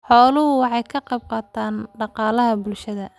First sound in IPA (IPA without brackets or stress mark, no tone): ħ